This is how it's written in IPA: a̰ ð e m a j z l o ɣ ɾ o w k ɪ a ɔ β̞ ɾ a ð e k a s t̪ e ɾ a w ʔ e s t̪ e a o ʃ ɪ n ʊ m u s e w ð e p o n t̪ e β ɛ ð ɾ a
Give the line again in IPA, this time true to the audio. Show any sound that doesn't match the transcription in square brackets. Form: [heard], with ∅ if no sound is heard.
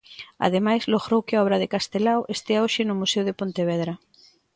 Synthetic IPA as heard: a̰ ð e m a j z l o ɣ ɾ o w k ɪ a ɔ β̞ ɾ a ð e k a s t̪ e [l] a w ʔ e s t̪ e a o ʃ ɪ n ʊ m u s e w ð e p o n t̪ e β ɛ ð ɾ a